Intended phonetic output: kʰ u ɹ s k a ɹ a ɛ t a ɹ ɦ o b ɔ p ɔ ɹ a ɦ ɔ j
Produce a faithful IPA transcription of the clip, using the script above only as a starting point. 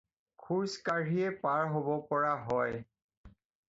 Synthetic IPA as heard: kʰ u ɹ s k a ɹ i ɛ p a ɹ ɦ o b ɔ p ɔ ɹ a ɦ ɔ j